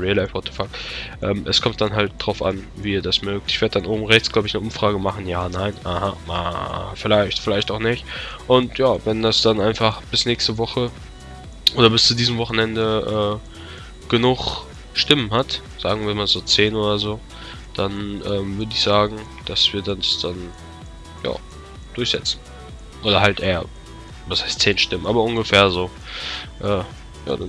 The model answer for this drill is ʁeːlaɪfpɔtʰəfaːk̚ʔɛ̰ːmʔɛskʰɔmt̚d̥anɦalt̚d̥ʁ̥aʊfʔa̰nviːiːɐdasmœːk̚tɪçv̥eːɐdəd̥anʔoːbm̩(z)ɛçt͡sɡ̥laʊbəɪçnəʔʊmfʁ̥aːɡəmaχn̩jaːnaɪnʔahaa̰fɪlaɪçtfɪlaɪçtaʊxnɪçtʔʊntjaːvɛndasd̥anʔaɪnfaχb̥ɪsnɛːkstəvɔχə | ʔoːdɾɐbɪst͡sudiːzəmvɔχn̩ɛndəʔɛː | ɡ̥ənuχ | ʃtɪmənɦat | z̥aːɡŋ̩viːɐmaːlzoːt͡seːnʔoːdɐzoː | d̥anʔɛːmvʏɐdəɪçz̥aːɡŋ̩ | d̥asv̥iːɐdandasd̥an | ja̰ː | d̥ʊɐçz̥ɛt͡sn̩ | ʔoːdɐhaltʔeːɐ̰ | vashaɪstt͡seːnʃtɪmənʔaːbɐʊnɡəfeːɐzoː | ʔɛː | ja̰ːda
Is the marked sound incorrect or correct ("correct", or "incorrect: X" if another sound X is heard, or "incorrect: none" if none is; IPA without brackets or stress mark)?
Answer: incorrect: ʁ